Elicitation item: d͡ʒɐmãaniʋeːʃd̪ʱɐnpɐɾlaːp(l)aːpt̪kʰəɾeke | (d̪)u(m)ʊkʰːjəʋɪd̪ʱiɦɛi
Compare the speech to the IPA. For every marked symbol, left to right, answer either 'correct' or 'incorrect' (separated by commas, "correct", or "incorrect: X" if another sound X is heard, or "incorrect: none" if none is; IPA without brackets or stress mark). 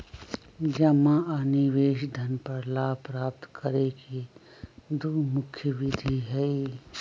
incorrect: ɾ, correct, correct